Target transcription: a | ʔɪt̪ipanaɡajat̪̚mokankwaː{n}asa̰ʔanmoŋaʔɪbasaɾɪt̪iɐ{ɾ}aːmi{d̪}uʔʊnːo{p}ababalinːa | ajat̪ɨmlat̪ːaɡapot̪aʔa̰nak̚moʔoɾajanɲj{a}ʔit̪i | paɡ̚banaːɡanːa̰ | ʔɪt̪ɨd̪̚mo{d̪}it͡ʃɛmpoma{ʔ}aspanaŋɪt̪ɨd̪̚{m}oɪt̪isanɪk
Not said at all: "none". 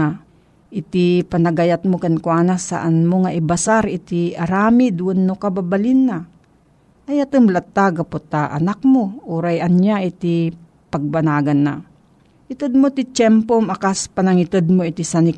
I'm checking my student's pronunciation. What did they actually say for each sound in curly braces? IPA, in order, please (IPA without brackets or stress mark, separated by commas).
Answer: n, ɾ, d̪, k, a, t̪, k, m